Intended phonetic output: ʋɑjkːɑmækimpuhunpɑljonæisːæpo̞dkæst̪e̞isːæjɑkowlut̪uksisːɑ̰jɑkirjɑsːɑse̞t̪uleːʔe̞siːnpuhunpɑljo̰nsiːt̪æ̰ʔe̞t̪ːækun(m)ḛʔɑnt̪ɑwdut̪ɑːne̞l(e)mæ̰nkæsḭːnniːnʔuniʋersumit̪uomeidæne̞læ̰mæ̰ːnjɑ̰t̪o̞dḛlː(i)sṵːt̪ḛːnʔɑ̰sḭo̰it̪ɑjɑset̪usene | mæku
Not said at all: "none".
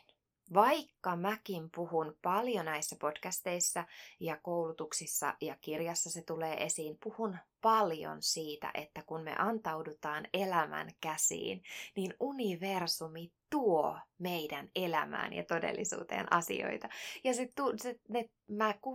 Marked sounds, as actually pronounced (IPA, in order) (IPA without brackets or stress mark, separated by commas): m, æ, i